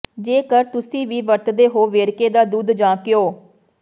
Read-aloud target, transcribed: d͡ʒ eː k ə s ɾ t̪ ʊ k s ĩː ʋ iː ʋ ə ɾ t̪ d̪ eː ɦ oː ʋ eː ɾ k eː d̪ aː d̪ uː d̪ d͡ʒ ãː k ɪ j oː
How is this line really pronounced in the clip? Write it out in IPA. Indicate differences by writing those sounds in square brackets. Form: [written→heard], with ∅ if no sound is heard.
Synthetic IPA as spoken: d͡ʒ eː k ə [s→∅] ɾ t̪ ʊ [k→∅] s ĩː ʋ iː ʋ ə ɾ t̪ d̪ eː ɦ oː ʋ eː ɾ k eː d̪ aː d̪ uː d̪ d͡ʒ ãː k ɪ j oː